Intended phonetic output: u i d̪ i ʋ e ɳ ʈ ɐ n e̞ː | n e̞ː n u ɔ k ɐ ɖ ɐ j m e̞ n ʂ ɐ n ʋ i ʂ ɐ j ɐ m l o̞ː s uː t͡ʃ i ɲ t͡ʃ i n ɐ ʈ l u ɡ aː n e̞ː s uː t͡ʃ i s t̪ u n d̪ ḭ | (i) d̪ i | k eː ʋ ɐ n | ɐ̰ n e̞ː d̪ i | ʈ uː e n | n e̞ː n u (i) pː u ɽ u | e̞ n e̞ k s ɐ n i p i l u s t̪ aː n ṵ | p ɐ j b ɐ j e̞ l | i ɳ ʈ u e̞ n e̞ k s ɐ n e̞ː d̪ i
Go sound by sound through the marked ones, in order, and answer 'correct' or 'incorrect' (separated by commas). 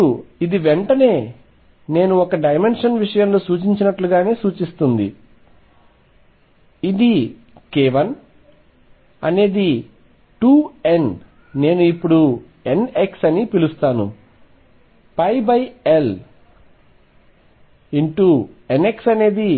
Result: correct, correct